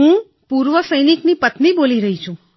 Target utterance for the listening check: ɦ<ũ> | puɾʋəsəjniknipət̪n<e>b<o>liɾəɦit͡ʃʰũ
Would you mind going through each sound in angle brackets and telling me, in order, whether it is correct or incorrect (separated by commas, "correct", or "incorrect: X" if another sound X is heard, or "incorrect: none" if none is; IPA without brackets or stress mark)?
correct, incorrect: i, correct